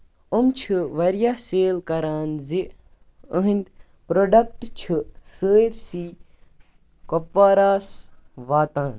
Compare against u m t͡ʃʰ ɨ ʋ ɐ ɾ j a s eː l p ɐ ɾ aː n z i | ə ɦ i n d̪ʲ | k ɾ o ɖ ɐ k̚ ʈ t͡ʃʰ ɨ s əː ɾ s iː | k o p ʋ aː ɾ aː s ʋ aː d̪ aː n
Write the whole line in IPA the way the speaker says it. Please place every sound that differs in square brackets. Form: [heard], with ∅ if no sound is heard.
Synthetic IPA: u m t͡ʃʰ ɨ ʋ ɐ ɾ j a s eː l [k] ɐ ɾ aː n z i | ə ɦ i n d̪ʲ | [p] ɾ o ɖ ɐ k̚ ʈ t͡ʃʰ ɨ s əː ɾ s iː | k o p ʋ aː ɾ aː s ʋ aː [t̪] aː n

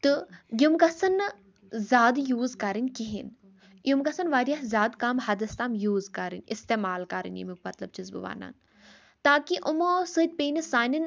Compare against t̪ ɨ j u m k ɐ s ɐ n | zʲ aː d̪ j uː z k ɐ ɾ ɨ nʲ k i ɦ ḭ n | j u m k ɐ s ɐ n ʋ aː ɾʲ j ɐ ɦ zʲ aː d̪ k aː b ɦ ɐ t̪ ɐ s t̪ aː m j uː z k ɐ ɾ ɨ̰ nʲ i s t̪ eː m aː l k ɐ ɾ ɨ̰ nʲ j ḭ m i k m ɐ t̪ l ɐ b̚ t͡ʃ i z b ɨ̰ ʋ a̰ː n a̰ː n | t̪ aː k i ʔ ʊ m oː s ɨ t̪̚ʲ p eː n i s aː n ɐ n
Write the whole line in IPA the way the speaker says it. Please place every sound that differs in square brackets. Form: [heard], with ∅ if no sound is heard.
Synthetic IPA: t̪ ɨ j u m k ɐ s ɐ n | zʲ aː d̪ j uː z k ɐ ɾ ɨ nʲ k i ɦ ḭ n | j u m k ɐ s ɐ n ʋ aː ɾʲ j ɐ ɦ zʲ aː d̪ k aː [m] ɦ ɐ [d̪] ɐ s t̪ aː m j uː z k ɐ ɾ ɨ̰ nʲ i s t̪ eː m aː l k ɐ ɾ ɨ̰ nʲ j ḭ m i k m ɐ t̪ l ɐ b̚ t͡ʃ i z b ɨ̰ ʋ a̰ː n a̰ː n | t̪ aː k i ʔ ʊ m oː s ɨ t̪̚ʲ p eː n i s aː n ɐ n

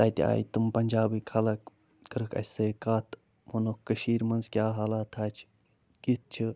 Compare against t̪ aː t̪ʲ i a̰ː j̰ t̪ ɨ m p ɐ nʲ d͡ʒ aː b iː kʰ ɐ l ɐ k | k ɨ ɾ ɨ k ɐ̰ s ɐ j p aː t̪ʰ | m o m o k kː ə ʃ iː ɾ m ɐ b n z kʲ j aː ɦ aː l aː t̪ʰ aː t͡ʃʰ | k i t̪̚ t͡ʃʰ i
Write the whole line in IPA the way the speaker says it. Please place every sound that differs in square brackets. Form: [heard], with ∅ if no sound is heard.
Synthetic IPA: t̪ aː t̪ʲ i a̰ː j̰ t̪ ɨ m p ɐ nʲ d͡ʒ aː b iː kʰ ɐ l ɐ k | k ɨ ɾ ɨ k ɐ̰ s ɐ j [k] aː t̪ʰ | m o [n] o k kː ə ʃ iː ɾ m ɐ [∅] n z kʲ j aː ɦ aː l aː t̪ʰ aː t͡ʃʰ | k i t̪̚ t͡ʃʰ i

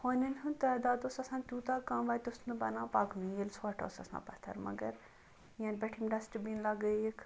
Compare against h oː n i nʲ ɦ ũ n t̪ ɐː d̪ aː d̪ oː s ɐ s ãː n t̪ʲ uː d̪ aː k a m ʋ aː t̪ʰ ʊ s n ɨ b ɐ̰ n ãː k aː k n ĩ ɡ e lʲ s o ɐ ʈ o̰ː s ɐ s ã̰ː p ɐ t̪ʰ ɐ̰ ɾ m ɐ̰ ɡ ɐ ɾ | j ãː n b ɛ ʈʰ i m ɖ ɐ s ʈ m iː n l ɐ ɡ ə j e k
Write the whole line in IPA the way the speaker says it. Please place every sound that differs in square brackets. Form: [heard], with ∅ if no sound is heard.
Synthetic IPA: h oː n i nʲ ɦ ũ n t̪ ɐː d̪ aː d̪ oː s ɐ s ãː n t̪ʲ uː [t̪] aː k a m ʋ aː [t̪] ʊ s n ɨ b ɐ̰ n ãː [p] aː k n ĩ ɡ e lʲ s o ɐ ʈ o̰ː s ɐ s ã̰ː p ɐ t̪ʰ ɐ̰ ɾ m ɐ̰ ɡ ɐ ɾ | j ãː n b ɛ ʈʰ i m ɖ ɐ s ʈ [b] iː n l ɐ ɡ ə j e k

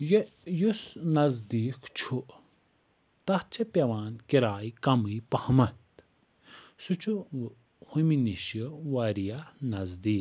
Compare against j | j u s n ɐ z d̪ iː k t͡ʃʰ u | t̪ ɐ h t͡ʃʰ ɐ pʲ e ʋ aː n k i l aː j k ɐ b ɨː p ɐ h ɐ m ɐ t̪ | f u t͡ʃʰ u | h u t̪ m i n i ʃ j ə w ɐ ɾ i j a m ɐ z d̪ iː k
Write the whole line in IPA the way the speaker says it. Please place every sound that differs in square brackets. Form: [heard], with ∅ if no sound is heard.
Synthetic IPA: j | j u s n ɐ z d̪ iː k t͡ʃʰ u | t̪ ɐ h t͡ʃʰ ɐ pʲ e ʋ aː n k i [ɾ] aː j k ɐ [m] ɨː p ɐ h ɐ m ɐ t̪ | [s] u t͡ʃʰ u | h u [∅] m i n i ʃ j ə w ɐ ɾ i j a [n] ɐ z d̪ iː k

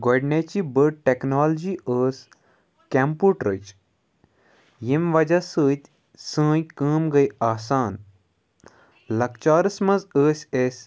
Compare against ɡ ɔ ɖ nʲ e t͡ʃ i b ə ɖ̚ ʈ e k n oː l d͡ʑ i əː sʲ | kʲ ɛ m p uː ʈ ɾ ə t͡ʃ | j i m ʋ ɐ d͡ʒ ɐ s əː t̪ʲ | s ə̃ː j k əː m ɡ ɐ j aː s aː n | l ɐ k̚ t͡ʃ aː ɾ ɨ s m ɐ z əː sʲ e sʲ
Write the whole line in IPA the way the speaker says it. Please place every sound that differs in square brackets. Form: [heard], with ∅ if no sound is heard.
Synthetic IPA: ɡ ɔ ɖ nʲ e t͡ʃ i b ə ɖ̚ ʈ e k n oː l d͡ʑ i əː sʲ | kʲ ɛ m p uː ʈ ɾ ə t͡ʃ | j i m ʋ ɐ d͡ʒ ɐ s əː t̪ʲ | s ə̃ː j k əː m ɡ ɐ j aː s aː n | l ɐ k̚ t͡ʃ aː ɾ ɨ s m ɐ z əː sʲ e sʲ

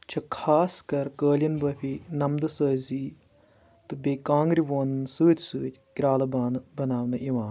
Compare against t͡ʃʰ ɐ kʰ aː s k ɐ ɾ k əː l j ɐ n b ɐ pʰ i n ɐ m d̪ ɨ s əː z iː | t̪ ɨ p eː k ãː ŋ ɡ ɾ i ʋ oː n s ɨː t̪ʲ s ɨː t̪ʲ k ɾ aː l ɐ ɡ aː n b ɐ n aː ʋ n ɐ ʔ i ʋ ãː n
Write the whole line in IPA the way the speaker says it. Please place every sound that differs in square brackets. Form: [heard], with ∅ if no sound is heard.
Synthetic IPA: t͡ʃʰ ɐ kʰ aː s k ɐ ɾ k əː l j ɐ n b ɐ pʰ i n ɐ m d̪ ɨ s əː z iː | t̪ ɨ [b] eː k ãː ŋ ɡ ɾ i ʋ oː n s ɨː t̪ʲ s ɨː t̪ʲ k ɾ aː l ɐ [b] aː n b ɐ n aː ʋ n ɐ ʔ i ʋ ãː n

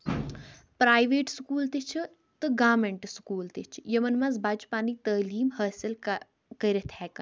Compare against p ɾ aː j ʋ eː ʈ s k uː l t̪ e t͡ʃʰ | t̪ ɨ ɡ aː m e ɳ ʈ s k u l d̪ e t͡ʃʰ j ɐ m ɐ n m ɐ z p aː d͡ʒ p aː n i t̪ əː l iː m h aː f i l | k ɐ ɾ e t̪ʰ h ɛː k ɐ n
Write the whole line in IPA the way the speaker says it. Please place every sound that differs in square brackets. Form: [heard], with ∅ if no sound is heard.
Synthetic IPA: p ɾ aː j ʋ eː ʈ s k uː l t̪ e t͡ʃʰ | t̪ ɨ ɡ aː m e ɳ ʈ s k [uː] l [t̪] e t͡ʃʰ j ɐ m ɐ n m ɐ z [b] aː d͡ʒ p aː n i t̪ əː l iː m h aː [s] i l | k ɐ ɾ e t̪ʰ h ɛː k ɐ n

